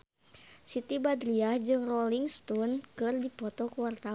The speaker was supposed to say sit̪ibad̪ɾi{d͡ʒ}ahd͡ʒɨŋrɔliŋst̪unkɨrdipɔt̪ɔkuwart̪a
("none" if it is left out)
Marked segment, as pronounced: none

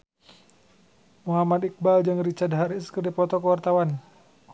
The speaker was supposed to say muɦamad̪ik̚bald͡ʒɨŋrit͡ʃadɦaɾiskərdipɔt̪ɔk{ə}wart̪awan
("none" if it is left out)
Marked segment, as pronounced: ə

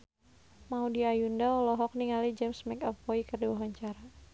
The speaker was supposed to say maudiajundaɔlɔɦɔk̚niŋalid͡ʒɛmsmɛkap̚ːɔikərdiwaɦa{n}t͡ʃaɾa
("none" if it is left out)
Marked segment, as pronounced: ɲ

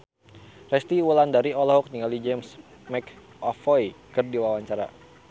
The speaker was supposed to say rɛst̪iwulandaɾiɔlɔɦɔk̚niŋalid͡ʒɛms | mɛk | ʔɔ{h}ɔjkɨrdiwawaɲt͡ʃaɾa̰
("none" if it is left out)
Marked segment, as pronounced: f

